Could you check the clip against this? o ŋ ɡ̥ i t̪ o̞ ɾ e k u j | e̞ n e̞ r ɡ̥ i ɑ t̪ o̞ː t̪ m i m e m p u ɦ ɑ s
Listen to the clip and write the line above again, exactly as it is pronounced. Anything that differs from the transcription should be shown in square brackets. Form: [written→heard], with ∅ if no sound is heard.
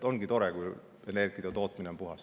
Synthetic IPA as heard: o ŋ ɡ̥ i t̪ o̞ ɾ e k u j | e̞ n e̞ r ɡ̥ i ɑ t̪ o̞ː t̪ m i [m→n] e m p u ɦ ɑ s

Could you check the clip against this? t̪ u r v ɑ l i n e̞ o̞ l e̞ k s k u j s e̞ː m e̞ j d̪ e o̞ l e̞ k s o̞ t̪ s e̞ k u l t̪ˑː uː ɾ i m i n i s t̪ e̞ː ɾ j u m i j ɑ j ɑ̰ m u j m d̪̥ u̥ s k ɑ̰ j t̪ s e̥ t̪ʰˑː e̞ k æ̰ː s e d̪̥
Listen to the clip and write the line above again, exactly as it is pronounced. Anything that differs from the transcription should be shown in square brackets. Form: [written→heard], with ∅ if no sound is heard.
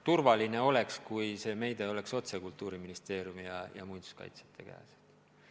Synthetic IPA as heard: t̪ u r v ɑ l i n e̞ o̞ l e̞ k s k u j s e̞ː m e̞ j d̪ e o̞ l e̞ k s o̞ t̪ s e̞ k u l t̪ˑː uː ɾ i m i n i s t̪ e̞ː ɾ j u m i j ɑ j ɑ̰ m u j [m→n] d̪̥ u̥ s k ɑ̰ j t̪ s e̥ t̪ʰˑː e̞ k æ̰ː s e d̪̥

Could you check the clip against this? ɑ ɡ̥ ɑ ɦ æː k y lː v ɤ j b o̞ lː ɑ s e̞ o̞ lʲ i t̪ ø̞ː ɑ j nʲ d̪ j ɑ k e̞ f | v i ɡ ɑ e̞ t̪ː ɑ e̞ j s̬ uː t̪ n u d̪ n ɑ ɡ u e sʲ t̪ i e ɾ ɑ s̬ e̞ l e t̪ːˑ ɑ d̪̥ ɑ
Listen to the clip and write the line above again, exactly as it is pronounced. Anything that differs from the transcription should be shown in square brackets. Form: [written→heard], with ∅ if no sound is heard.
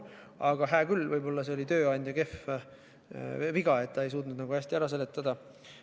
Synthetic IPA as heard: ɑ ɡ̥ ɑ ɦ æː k y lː v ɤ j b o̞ lː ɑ s e̞ o̞ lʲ i t̪ ø̞ː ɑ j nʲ d̪ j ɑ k e̞ f | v i ɡ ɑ e̞ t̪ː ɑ e̞ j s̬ uː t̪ n u d̪ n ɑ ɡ u [e→æ] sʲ t̪ i [e→æ] ɾ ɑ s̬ e̞ l e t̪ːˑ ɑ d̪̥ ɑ

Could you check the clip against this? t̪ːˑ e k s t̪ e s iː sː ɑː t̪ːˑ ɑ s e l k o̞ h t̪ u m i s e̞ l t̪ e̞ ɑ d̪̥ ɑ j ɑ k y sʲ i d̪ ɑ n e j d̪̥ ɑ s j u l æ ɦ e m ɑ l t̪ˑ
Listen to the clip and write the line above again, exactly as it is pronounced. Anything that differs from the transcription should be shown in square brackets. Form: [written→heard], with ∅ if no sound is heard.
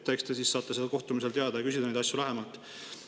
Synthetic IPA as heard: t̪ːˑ e k s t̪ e s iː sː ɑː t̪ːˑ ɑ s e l k o̞ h t̪ u m i s e̞ l t̪ e̞ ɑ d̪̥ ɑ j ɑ k y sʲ i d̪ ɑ n e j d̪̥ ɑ s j u l æ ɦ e m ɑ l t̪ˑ

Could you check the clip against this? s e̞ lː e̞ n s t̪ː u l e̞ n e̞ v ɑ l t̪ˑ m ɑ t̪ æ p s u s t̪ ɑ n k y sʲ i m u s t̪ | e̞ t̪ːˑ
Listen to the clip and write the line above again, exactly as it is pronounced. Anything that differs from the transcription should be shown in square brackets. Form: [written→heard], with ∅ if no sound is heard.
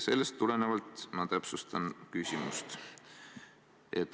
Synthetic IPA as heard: s e̞ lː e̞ [n→∅] s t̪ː u l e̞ n e̞ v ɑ l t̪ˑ m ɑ t̪ æ p s u s t̪ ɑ n k y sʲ i m u s t̪ | e̞ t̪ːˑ

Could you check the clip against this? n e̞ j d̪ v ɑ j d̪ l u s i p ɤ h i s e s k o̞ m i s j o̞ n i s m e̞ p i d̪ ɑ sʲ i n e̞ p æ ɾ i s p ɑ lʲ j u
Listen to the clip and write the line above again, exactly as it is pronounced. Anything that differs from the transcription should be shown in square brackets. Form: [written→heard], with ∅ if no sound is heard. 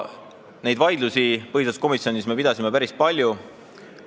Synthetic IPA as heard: n e̞ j d̪ v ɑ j d̪ l u s i p ɤ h i s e s k o̞ m i s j o̞ n i s m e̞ p i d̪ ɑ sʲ i [n→m] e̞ p æ ɾ i s p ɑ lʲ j u

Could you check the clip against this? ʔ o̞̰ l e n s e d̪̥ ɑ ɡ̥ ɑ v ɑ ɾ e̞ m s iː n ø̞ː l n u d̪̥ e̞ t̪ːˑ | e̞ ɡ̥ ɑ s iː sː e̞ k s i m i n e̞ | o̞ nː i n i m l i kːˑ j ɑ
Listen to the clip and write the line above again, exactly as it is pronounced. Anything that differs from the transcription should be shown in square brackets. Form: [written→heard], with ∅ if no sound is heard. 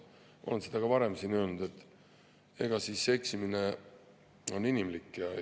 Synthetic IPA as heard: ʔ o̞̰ l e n s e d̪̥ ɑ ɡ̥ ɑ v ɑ ɾ e̞ m s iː n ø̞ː l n u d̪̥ e̞ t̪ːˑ | e̞ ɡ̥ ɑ s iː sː e̞ k s i m i n e̞ | o̞ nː i n i m l i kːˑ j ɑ

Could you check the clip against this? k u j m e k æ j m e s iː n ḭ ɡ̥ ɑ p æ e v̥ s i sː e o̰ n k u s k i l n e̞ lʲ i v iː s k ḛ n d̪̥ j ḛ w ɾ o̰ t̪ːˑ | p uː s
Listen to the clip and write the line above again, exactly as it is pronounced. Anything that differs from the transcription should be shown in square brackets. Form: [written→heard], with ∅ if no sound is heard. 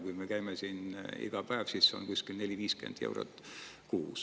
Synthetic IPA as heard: k u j m e k æ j m e s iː n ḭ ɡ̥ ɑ p æ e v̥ s i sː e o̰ n k u s k i l n e̞ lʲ i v iː s k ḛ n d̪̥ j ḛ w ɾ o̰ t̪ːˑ | [p→k] uː s

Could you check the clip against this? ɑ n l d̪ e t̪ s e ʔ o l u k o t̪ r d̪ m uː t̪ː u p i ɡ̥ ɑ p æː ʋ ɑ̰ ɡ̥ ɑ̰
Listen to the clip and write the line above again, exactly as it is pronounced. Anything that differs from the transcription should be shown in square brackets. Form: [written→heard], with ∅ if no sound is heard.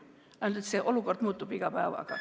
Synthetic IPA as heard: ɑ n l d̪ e t̪ s e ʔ o l u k o [t̪→∅] r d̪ m uː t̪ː u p i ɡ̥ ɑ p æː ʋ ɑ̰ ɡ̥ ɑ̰

